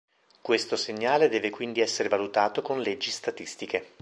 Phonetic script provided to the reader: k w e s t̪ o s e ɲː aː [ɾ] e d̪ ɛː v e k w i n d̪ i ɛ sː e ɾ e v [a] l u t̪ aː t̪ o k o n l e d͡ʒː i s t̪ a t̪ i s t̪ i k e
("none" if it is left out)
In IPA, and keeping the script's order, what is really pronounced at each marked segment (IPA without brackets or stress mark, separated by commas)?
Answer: l, a